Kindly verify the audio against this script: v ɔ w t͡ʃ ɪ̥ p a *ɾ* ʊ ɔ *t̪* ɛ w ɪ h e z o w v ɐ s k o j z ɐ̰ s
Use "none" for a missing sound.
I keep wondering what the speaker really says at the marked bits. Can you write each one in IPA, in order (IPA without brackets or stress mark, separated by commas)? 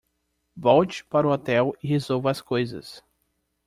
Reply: ɾ, t̪